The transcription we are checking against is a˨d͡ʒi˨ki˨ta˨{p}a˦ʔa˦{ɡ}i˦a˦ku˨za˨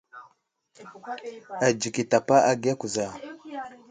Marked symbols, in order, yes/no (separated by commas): yes, yes